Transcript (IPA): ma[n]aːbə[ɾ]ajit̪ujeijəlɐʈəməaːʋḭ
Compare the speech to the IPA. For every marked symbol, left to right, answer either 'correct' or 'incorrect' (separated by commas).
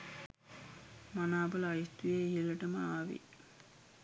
correct, incorrect